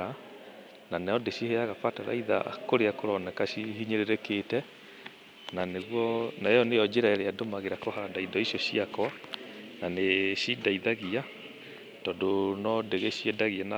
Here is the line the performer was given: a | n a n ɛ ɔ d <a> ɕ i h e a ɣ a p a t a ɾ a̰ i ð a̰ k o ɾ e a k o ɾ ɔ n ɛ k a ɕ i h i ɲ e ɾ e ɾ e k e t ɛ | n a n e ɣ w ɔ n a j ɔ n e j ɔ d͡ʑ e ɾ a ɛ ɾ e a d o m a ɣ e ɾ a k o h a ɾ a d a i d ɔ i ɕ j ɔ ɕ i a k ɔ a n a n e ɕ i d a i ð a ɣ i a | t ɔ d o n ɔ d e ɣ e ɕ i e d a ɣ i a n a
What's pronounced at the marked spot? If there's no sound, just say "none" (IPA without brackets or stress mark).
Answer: e